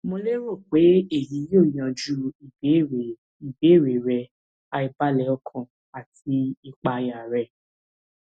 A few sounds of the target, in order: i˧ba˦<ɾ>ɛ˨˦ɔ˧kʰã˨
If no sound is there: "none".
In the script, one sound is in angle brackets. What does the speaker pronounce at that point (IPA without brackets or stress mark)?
l